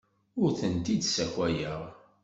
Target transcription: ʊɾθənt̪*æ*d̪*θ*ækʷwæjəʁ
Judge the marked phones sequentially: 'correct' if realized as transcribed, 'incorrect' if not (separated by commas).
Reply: incorrect, incorrect